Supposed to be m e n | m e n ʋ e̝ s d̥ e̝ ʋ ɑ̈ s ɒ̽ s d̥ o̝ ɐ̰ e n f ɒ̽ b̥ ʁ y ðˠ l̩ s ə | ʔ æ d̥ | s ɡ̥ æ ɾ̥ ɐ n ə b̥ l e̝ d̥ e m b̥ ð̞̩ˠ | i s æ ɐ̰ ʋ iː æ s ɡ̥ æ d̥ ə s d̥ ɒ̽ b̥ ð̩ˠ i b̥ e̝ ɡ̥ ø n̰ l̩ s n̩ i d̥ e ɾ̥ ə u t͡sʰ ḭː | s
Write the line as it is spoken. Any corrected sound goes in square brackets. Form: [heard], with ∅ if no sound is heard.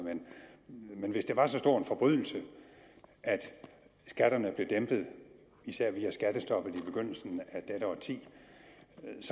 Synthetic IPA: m e n | m e n ʋ e̝ s d̥ e̝ ʋ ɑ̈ s ɒ̽ s d̥ o̝ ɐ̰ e n f ɒ̽ b̥ ʁ y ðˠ l̩ s ə | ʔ æ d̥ | s ɡ̥ æ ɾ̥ ɐ n ə b̥ l e̝ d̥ e m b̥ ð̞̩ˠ | i s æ ɐ̰ ʋ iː æ s ɡ̥ æ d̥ ə s d̥ ɒ̽ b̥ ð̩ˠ i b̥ e̝ ɡ̥ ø n̰ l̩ s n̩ [æ] d̥ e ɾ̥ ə [ɒ] t͡sʰ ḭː | s